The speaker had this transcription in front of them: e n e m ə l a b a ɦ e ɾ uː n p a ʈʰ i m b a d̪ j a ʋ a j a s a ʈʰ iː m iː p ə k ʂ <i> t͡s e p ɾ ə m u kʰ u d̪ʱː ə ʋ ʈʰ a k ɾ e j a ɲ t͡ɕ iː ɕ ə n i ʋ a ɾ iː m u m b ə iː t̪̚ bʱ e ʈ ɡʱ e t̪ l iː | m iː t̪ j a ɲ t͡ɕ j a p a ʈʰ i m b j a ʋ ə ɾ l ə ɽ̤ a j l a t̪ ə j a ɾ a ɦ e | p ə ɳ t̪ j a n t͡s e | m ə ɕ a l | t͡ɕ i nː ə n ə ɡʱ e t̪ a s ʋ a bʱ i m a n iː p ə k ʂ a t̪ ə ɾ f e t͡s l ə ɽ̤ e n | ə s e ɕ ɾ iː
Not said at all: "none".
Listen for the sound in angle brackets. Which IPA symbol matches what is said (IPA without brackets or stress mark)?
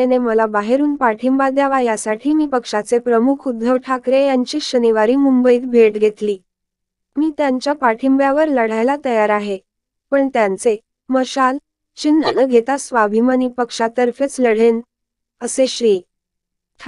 a